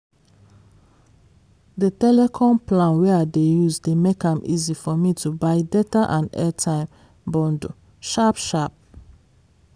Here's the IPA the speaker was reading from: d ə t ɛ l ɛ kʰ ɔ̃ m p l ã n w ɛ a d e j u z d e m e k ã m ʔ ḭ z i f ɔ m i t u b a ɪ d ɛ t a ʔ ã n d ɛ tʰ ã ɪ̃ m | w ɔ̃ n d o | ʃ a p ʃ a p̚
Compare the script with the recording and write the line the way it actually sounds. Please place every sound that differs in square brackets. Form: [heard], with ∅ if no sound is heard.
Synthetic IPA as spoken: d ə t ɛ l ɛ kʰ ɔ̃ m p l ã n w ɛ a d e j u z d e m e k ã m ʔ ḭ z i f ɔ m i t u b a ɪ d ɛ t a ʔ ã n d ɛ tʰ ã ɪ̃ m | [b] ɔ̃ n d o | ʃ a p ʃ a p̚